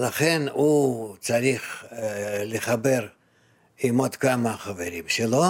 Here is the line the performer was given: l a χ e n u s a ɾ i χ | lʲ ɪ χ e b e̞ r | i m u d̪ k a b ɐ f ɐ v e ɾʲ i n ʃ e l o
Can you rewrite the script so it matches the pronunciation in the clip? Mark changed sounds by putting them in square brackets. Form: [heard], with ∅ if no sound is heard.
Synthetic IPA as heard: l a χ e n u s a ɾ i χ | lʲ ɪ χ [a] b e̞ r | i m [o] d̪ k a [m] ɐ [χ] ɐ v e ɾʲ i [m] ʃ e l o